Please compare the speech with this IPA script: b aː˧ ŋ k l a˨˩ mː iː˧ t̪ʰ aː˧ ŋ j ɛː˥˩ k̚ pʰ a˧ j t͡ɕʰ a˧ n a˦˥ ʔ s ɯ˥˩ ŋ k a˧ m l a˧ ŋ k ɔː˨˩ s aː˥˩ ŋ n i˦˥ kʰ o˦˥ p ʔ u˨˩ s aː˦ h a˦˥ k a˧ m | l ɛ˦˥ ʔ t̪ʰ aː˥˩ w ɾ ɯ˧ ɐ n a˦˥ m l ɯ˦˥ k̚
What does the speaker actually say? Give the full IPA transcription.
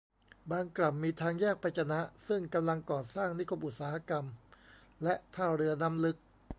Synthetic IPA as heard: b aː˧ ŋ k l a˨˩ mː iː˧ t̪ʰ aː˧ ŋ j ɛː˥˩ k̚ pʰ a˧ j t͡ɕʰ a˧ n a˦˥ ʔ s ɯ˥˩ ŋ k a˧ m l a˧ ŋ k ɔː˨˩ s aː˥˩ ŋ n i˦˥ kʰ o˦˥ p ʔ u˨˩ s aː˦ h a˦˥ k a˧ m | l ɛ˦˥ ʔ t̪ʰ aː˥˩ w ɾ ɯ˧ ɐ n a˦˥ m l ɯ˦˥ k̚

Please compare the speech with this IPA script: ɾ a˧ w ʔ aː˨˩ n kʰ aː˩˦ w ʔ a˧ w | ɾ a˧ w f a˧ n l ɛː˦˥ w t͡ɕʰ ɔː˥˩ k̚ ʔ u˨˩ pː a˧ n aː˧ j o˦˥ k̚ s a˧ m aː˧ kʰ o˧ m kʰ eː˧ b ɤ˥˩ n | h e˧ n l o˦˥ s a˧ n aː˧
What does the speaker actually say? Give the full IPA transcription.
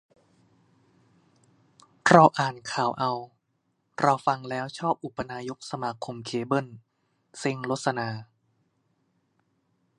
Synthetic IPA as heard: ɾ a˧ w ʔ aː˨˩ n kʰ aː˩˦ w ʔ a˧ w | ɾ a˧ w f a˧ ŋ l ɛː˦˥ w t͡ɕʰ ɔː˥˩ p̚ ʔ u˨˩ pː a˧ n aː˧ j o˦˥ k̚ s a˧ m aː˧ kʰ o˧ m kʰ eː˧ b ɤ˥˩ n | s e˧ ŋ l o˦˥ s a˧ n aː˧

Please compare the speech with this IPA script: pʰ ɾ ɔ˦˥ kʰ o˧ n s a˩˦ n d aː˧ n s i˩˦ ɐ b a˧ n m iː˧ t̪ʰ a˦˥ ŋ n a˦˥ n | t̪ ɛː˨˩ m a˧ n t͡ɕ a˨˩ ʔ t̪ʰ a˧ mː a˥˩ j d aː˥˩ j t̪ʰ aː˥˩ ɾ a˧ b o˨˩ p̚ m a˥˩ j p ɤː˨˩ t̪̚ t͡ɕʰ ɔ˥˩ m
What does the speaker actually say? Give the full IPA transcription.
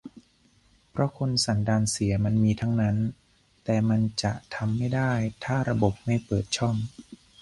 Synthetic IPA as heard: pʰ ɾ ɔ˦˥ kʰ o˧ n s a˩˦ n d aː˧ n s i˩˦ ɐ m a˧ n m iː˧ t̪ʰ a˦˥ ŋ n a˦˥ n | t̪ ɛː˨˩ m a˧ n t͡ɕ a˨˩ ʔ t̪ʰ a˧ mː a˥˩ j d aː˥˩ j t̪ʰ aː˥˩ ɾ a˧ b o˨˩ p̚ m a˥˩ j p ɤː˨˩ t̪̚ t͡ɕʰ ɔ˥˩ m

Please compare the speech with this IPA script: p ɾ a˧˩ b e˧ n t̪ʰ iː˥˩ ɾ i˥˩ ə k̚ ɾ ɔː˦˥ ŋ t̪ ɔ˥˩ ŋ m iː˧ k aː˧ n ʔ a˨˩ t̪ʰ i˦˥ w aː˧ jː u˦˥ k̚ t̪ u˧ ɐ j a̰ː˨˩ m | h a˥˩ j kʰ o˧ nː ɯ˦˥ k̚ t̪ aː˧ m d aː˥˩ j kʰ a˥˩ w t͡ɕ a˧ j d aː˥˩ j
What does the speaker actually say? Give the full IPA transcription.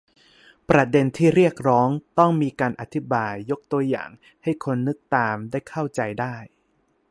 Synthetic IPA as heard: p ɾ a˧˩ d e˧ n t̪ʰ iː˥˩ ɾ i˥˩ ə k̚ ɾ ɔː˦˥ ŋ t̪ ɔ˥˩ ŋ m iː˧ k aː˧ n ʔ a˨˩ t̪ʰ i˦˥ b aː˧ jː o˦˥ k̚ t̪ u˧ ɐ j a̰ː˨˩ ŋ | h a˥˩ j kʰ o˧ nː ɯ˦˥ k̚ t̪ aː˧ m d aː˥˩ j kʰ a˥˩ w t͡ɕ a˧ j d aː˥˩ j

